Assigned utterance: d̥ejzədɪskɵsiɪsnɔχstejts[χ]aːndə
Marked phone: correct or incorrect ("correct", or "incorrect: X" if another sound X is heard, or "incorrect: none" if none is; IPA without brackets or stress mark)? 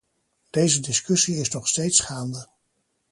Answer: correct